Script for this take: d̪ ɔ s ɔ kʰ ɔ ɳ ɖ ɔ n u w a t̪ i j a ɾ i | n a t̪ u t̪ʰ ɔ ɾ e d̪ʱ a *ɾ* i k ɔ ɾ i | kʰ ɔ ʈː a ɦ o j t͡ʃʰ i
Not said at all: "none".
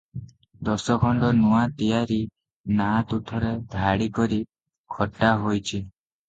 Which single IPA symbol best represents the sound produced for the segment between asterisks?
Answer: ɽ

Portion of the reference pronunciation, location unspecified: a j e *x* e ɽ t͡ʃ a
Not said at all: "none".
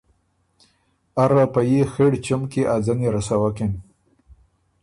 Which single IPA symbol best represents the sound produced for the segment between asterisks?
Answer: x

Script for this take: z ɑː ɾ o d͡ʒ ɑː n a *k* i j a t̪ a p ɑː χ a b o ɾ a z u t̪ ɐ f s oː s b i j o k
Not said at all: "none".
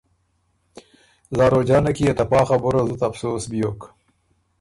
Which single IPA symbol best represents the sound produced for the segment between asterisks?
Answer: k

